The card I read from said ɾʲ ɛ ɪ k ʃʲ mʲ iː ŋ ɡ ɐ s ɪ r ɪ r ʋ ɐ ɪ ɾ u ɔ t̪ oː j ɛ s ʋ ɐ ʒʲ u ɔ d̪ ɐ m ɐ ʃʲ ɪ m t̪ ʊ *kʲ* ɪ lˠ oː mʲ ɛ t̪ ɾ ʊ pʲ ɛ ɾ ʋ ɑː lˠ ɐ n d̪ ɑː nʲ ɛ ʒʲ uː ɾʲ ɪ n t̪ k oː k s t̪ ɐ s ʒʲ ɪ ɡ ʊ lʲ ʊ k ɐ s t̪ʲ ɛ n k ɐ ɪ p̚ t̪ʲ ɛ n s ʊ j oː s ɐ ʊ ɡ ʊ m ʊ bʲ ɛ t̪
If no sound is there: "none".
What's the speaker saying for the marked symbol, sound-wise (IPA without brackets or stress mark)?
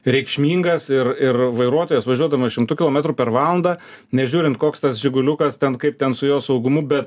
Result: kʲ